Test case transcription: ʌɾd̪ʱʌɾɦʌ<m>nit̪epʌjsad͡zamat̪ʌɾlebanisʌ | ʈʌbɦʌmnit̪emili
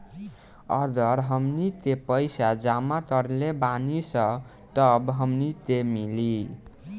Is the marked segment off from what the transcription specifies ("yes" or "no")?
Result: no